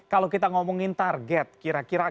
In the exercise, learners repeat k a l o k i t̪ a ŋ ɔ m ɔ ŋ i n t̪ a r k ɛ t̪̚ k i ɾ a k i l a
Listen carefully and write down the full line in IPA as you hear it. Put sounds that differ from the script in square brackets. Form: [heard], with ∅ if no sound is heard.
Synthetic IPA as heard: k a l o k i t̪ a ŋ ɔ m ɔ ŋ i n t̪ a r [ɡ] ɛ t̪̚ k i ɾ a k i [ɾ] a